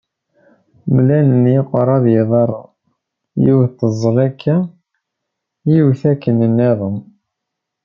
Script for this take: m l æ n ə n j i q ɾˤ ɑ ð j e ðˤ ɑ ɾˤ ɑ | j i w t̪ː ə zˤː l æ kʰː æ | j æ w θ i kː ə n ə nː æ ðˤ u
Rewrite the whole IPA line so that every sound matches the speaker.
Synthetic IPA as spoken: m l æ n ə n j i q ɾˤ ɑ ð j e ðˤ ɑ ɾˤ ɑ | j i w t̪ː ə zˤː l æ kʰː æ | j i w θ æ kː ə n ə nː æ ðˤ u